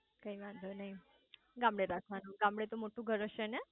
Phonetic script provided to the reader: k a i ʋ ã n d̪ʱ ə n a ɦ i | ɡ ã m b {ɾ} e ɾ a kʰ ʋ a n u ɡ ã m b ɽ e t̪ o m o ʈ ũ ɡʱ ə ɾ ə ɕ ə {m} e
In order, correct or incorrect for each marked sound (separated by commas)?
incorrect, incorrect